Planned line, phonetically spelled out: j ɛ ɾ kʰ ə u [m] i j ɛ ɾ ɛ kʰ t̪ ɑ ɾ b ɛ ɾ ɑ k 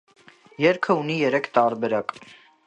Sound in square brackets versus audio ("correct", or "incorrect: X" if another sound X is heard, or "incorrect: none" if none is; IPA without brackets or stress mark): incorrect: n